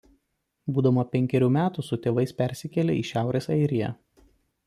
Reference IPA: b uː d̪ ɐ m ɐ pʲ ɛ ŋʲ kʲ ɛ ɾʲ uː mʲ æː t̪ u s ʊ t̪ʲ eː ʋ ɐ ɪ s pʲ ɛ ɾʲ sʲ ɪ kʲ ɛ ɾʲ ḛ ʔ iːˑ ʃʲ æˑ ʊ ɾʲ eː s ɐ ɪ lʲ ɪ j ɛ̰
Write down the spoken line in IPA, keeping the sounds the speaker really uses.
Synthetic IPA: b uː d̪ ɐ m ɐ pʲ ɛ ŋʲ kʲ ɛ ɾʲ uː mʲ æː t̪ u s ʊ t̪ʲ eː ʋ ɐ ɪ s pʲ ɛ ɾʲ sʲ ɪ kʲ ɛ lʲ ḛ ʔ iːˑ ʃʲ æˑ ʊ ɾʲ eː s ɐ ɪ ɾʲ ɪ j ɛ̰

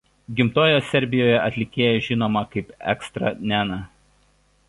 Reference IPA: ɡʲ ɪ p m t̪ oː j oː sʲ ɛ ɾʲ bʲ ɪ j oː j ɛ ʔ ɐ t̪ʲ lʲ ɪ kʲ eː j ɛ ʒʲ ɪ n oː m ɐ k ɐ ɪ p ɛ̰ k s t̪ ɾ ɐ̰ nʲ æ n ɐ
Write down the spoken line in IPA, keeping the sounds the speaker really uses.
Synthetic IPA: ɡʲ ɪ m t̪ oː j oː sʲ ɛ ɾʲ bʲ ɪ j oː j ɛ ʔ ɐ t̪ʲ lʲ ɪ kʲ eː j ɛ ʒʲ ɪ n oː m ɐ k ɐ ɪ p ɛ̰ k s t̪ ɾ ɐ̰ nʲ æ n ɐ

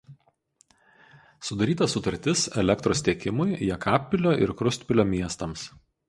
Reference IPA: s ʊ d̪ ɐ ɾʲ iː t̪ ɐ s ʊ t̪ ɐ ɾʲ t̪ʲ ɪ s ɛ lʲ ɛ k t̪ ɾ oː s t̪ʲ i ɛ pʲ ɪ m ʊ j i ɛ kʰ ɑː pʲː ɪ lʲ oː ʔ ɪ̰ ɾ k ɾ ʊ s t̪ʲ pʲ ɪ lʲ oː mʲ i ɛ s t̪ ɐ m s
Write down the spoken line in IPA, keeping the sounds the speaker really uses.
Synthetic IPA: s ʊ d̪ ɐ ɾʲ iː t̪ ɐ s ʊ t̪ ɐ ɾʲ t̪ʲ ɪ s ɛ lʲ ɛ k t̪ ɾ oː s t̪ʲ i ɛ kʲ ɪ m ʊ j j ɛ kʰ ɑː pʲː ɪ lʲ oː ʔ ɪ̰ ɾ k ɾ ʊ s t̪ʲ pʲ ɪ lʲ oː mʲ i ɛ s t̪ ɐ m s

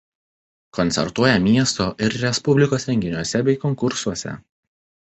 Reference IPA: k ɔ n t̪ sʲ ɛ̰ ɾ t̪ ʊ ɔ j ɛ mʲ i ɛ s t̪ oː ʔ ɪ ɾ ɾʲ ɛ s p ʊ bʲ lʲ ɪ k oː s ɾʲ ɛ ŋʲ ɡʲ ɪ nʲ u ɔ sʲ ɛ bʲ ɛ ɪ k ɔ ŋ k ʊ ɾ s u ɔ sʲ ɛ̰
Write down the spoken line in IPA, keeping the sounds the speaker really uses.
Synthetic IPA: k ɔ n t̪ sʲ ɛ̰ ɾ t̪ u ɔ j ɛ mʲ i ɛ s t̪ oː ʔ ɪ ɾ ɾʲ ɛ s p ʊ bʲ lʲ ɪ k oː s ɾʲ ɛ ŋʲ ɡʲ ɪ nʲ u ɔ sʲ ɛ bʲ ɛ ɪ k ɔ ŋ k ʊ ɾ s u ɔ sʲ ɛ̰

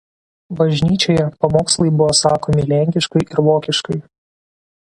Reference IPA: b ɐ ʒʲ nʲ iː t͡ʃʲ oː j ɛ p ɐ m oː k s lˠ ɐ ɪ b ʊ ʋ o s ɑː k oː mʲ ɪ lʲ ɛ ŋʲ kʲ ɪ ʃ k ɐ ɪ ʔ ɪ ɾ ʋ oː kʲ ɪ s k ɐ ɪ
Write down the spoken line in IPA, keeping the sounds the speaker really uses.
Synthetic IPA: b ɐ ʒʲ nʲ iː t͡ʃʲ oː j ɛ p ɐ m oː k s lˠ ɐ ɪ b ʊ ʋ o s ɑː k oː mʲ ɪ lʲ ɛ ŋʲ kʲ ɪ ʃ k ɐ ɪ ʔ ɪ ɾ ʋ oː kʲ ɪ ʃ k ɐ ɪ

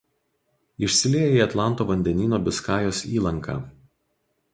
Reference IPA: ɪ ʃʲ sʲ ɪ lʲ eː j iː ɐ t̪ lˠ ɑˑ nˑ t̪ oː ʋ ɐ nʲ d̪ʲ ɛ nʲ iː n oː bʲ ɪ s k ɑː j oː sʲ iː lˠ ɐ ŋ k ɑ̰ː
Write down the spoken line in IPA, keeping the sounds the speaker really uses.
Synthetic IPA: ɪ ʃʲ sʲ ɪ lʲ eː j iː ɐ t̪ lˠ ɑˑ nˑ t̪ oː ʋ ɐ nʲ d̪ʲ ɛ nʲ iː n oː bʲ ɪ s k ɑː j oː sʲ iː lˠ ɐ ŋ k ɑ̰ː

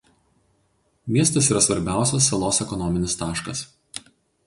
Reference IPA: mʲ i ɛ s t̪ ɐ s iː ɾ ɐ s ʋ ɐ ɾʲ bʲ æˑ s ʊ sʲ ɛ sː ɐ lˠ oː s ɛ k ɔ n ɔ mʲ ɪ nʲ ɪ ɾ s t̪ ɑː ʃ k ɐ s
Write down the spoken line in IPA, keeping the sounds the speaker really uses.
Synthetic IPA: mʲ i ɛ s t̪ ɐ s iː ɾ ɐ s ʋ ɐ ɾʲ bʲ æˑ ʊ sʲ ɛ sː ɐ lˠ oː s ɛ k ɔ n ɔ mʲ ɪ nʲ ɪ s t̪ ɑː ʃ k ɐ s

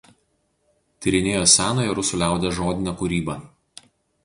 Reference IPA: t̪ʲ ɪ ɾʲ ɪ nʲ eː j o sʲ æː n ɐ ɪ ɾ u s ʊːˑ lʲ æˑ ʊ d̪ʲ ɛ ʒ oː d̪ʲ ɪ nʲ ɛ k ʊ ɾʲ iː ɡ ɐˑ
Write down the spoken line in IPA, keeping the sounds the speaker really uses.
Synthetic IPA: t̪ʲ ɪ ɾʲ ɪ nʲ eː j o sʲ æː n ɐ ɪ ɾ ʊ s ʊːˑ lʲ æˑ ʊ d̪ʲ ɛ ʒ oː d̪ʲ ɪ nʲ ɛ k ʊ ɾʲ iː b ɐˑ

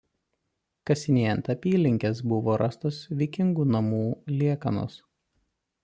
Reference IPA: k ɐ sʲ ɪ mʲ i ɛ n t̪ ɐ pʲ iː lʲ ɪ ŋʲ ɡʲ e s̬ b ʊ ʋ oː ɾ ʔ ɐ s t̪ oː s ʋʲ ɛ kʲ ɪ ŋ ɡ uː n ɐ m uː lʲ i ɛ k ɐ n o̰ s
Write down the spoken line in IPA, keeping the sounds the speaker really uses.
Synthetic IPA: k ɐ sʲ ɪ nʲ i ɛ n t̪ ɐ pʲ iː lʲ ɪ ŋʲ kʲ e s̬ b ʊ ʋ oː ɾ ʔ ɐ s t̪ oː s ʋʲ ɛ kʲ ɪ ŋ ɡ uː n ɐ m uː lʲ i ɛ k ɐ n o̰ s

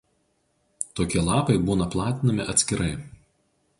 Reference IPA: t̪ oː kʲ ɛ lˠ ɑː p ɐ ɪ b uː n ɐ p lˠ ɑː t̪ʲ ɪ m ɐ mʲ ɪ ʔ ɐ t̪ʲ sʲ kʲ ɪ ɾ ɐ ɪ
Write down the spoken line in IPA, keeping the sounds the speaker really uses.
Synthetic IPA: t̪ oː kʲ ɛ lˠ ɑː p ɐ ɪ b uː n ɐ p lˠ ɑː t̪ʲ ɪ n ɐ mʲ ɪ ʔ ɐ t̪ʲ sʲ kʲ ɪ ɾ ɐ ɪ

